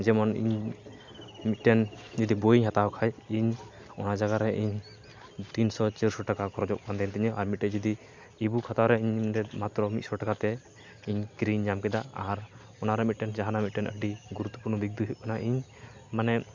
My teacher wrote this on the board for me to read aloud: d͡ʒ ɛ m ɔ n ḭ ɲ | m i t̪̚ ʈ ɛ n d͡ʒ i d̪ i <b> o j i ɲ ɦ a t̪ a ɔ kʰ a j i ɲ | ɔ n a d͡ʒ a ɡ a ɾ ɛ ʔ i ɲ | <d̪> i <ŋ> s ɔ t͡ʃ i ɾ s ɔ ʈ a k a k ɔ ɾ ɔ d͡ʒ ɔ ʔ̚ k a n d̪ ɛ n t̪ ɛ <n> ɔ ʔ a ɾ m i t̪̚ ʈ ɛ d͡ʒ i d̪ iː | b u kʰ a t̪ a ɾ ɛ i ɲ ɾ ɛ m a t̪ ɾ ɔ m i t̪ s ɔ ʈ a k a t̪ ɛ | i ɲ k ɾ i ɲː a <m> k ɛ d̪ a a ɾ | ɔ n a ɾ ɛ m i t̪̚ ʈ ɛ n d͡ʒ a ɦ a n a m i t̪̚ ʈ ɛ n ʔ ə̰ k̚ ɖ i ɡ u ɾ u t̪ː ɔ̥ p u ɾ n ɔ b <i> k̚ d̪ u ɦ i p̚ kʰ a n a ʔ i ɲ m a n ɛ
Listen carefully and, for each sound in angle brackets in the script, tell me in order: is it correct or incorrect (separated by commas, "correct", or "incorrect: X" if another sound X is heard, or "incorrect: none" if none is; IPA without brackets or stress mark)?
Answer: correct, incorrect: t̪, incorrect: n, incorrect: ɲ, correct, correct